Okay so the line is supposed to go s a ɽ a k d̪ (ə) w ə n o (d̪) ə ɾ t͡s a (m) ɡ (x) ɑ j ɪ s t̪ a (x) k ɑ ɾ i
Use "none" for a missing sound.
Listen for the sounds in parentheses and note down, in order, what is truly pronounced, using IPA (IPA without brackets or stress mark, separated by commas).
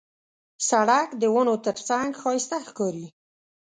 ə, t̪, ŋ, x, x